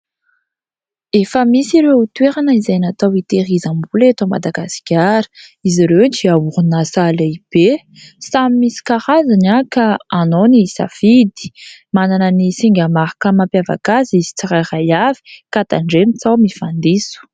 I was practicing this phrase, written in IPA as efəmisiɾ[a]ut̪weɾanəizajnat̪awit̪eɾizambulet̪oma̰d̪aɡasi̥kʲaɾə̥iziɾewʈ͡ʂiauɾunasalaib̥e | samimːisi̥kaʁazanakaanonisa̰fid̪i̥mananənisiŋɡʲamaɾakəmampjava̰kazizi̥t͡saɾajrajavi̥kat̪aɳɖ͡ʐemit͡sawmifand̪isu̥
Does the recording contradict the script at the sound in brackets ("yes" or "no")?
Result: yes